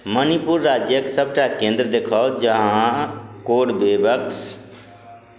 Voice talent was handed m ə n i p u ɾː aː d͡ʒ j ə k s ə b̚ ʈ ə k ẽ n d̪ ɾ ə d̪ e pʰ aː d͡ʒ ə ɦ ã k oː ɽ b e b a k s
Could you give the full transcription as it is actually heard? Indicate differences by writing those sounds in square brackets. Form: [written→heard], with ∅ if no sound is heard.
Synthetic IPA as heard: m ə n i p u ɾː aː d͡ʒ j ə k s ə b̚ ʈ [ə→a] k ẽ n d̪ ɾ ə d̪ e [pʰ→kʰ] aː d͡ʒ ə ɦ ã k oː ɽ b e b [a→ə] k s